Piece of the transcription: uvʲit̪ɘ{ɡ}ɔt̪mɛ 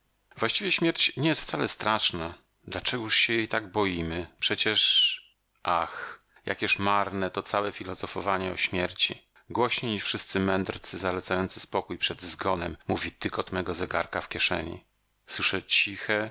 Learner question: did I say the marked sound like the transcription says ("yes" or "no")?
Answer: no